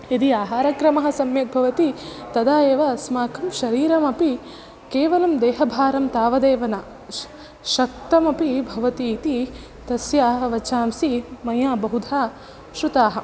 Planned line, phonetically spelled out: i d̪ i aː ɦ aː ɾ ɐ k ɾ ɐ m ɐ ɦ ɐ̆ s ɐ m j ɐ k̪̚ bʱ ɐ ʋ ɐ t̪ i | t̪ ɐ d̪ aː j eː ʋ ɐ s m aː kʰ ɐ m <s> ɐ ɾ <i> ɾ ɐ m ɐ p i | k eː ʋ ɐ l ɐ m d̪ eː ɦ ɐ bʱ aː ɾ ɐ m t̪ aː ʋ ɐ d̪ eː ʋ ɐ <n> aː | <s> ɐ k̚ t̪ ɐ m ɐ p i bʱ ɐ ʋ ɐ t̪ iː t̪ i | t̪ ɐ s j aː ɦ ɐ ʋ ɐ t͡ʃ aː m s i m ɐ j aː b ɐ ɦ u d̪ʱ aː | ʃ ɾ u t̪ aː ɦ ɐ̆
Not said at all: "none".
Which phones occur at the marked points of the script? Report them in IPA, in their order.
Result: ʃ, iː, n, ʃ

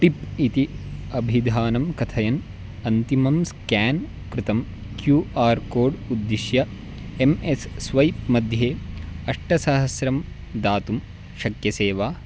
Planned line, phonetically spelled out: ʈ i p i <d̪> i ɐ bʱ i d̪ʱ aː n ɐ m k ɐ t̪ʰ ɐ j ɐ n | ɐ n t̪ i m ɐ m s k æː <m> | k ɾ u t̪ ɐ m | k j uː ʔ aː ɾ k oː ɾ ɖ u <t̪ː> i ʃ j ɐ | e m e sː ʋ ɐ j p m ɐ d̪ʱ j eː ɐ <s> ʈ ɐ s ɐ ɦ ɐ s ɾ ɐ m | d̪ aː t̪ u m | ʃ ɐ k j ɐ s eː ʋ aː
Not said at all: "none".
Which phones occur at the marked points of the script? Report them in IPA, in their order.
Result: t̪, n, d̪ː, ʂ

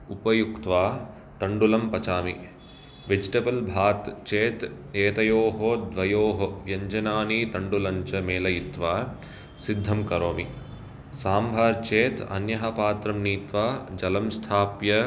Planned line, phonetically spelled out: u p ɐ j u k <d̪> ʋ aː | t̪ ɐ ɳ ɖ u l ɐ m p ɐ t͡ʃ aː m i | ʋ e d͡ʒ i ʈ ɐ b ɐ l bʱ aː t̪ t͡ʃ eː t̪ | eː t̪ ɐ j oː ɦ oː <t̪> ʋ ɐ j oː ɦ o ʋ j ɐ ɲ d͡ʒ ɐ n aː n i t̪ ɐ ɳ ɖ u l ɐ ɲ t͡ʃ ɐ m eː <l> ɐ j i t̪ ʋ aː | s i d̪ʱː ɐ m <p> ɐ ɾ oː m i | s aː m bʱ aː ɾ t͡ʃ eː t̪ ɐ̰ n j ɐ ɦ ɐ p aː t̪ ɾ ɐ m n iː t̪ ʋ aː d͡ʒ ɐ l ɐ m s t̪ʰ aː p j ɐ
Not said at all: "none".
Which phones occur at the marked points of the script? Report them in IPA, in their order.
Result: t̪, d̪, l, k

